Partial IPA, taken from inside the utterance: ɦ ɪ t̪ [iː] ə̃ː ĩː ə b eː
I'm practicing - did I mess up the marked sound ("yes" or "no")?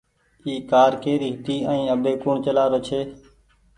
no